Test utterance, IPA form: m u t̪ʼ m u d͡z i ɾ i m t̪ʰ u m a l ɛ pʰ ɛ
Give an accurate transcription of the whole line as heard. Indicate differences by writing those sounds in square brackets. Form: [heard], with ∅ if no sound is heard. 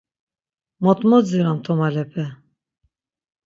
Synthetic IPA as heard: m [ɔ] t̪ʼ m [ɔ] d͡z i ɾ [a] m t̪ʰ [ɔ] m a l ɛ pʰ ɛ

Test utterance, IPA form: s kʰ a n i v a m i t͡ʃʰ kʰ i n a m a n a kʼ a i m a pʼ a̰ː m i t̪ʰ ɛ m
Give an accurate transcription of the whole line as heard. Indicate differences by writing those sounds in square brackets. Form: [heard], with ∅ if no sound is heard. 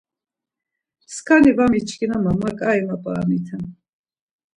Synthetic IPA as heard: s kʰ a n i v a m i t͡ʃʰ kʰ i n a m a [m] a kʼ a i m a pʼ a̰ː m i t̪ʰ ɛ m

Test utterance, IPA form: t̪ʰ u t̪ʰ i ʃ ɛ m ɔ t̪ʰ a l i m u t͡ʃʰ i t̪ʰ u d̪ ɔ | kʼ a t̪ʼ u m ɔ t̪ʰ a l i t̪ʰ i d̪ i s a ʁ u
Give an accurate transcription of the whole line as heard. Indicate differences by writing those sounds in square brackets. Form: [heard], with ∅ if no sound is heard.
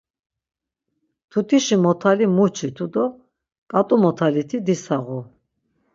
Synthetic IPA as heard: t̪ʰ u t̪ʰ i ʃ [i] m ɔ t̪ʰ a l i m u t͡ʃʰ i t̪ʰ u d̪ ɔ | kʼ a t̪ʼ u m ɔ t̪ʰ a l i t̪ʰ i d̪ i s a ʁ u

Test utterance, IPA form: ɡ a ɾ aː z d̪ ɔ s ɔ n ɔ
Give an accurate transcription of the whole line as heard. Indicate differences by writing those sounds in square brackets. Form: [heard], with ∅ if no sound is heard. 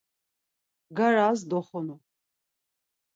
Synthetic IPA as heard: ɡ a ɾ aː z d̪ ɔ [χ] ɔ n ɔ

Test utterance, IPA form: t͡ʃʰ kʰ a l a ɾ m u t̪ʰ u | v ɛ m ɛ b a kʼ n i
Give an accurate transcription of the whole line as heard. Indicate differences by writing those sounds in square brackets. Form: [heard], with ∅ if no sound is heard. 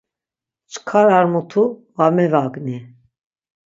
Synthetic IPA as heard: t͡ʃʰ kʰ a [ɾ] a ɾ m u t̪ʰ u | v [a] m ɛ [v] a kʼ n i

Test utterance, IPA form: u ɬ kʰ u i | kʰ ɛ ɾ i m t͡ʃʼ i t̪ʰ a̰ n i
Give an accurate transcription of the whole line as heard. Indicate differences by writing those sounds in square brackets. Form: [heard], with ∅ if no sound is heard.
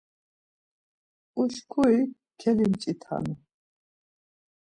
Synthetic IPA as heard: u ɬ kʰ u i | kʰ ɛ [l] i m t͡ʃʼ i t̪ʰ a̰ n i

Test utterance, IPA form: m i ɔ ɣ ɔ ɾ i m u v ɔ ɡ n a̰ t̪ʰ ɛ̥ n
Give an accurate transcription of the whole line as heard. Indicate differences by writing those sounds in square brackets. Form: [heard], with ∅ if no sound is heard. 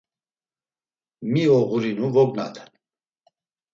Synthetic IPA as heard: m i ɔ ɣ [u] ɾ i [n] u v ɔ ɡ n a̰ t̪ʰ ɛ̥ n

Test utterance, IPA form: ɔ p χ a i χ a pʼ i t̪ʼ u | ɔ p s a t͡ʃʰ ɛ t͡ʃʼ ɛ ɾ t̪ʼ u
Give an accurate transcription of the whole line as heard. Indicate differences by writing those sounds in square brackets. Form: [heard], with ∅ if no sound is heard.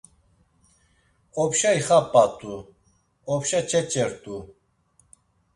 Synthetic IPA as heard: ɔ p [ʃ] a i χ a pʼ [a] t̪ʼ u | ɔ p [ʃ] a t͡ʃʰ ɛ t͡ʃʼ ɛ ɾ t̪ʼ u

